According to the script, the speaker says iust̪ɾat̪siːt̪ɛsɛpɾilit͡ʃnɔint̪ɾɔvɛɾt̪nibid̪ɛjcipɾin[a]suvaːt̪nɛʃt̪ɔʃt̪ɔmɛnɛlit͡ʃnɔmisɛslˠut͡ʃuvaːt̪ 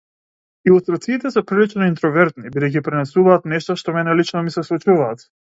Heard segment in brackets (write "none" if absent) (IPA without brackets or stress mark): ɛ